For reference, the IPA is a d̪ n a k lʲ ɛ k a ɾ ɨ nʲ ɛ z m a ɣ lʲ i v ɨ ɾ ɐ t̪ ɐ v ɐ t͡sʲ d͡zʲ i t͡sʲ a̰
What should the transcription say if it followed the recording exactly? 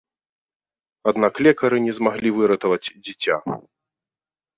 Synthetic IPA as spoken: a d̪ n a k lʲ ɛ k ɐ ɾ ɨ nʲ ɛ z m a ɣ lʲ i v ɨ ɾ ɐ t̪ ɐ v ɐ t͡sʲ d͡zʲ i t͡sʲ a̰